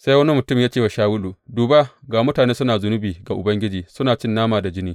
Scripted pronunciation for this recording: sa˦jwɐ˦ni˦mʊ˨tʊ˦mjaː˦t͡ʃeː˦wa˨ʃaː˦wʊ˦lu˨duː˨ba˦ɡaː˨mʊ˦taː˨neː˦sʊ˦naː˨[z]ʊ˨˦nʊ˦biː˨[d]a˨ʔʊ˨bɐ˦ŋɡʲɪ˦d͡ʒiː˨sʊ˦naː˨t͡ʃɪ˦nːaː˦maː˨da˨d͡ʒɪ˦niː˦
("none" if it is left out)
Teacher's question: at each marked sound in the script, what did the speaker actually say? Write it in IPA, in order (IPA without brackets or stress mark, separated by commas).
z, ɡ